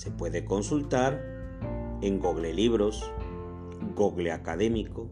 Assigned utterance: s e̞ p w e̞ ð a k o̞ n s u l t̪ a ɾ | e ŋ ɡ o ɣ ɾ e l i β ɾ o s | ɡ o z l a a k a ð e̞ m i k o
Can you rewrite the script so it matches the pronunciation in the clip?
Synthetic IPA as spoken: s e̞ p w e̞ ð e k o̞ n s u l t̪ a ɾ | e ŋ ɡ o ɣ l e l i β ɾ o s | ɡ o ɣ l e a k a ð e̞ m i k o